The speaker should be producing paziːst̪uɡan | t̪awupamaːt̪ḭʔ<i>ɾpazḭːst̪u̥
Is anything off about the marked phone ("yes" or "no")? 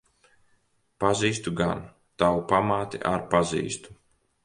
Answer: yes